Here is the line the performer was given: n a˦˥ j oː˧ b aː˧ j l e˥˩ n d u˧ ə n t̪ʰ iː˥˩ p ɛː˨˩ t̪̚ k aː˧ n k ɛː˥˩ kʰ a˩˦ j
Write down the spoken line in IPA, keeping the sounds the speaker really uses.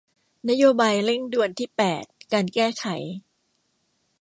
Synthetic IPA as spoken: n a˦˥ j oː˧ b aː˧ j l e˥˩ ŋ d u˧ ə n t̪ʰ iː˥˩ p ɛː˨˩ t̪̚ k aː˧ n k ɛː˥˩ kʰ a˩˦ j